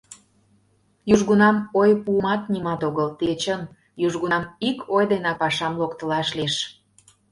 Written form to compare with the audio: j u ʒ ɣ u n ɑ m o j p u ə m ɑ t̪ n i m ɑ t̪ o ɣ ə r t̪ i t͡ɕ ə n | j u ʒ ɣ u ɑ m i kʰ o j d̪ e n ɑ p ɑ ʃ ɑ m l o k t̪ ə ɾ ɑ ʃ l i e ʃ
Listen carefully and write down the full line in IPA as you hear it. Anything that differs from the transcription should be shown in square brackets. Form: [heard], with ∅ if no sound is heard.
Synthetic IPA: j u ʒ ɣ u n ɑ m o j p u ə m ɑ t̪ n i m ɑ t̪ o ɣ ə [l] t̪ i t͡ɕ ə n | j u ʒ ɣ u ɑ m i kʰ o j d̪ e n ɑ p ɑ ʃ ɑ m l o k t̪ ə [l] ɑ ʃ l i e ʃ